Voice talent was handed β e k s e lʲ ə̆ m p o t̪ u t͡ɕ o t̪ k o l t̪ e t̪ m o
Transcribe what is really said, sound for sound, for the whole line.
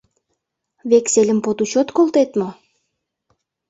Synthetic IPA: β e k s e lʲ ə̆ m p o t̪ u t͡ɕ o t̪ k o l t̪ e t̪ m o